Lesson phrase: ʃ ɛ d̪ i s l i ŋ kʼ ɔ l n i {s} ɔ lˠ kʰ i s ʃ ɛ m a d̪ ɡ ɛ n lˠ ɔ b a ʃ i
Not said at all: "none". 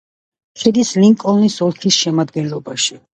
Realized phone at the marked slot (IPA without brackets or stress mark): s